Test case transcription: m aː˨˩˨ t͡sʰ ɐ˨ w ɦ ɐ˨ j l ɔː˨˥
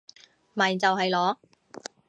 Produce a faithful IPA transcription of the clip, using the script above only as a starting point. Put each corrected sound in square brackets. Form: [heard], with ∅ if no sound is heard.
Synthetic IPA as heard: m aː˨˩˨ [t͡s] ɐ˨ w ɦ ɐ˨ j l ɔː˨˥